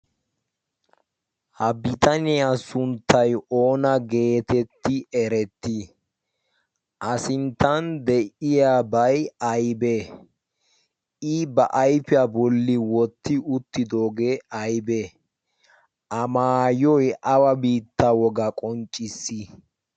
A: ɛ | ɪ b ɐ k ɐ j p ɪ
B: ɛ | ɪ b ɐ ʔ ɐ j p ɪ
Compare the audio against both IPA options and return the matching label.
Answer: B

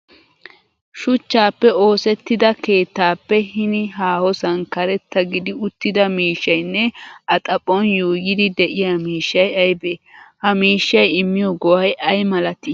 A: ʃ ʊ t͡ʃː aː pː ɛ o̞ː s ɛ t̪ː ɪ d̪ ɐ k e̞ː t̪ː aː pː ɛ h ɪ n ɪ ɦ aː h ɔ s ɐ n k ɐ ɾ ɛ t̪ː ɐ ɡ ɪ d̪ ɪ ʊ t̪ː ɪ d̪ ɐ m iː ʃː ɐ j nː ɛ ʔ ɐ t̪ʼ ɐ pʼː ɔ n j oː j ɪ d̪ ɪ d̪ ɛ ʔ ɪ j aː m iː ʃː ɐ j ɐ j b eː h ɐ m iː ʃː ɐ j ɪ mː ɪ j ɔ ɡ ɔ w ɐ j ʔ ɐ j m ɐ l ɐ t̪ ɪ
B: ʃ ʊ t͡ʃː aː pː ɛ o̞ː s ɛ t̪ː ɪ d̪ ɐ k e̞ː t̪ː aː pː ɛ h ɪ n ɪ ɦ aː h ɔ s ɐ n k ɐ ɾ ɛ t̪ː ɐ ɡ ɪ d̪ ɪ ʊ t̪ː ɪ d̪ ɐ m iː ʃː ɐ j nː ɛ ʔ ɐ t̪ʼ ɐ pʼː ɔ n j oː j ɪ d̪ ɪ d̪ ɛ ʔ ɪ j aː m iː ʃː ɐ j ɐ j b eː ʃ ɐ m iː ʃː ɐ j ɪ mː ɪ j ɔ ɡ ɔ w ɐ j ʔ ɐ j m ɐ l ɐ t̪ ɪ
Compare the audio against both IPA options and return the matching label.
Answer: A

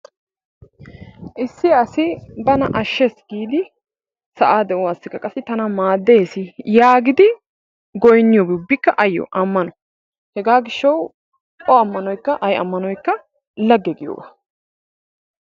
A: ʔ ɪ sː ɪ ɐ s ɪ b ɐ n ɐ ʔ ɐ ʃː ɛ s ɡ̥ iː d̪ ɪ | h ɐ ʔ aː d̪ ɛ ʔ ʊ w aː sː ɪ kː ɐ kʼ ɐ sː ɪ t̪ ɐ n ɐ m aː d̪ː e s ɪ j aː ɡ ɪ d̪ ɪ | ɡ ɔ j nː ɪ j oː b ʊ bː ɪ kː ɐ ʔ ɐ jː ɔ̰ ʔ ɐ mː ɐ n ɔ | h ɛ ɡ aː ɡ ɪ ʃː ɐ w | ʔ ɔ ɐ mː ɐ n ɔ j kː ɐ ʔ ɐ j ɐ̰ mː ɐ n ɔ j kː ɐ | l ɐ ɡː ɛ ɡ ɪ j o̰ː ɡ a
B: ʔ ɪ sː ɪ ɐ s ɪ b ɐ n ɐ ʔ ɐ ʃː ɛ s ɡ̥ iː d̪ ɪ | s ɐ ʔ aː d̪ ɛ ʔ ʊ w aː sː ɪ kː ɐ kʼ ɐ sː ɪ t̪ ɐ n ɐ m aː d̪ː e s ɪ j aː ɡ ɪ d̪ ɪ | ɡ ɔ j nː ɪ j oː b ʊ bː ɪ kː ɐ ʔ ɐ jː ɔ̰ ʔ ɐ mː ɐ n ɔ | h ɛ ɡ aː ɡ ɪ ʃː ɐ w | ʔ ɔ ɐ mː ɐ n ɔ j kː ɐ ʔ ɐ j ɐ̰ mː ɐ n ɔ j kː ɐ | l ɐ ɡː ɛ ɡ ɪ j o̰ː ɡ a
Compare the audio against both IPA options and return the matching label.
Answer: B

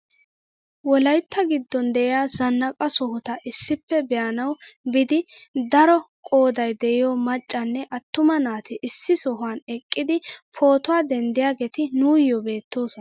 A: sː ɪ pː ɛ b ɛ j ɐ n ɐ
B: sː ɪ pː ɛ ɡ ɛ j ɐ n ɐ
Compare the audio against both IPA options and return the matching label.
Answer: A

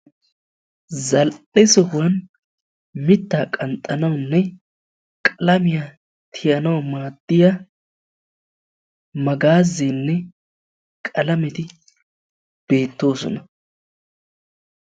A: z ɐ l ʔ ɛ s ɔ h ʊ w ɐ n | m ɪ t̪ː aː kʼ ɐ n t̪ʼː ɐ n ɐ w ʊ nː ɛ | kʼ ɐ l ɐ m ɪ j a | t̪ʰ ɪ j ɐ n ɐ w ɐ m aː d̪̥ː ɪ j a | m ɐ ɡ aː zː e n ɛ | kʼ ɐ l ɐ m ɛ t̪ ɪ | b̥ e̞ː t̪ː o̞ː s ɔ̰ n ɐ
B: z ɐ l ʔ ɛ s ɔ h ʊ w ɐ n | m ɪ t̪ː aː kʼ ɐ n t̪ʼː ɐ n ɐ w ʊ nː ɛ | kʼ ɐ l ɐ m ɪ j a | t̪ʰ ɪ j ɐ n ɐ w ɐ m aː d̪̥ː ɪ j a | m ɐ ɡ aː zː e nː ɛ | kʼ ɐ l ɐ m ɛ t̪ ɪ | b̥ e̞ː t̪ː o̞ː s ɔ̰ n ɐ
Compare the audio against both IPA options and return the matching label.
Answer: B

